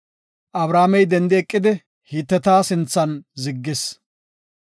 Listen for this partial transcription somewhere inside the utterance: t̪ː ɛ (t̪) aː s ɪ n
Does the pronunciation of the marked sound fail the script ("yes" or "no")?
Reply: no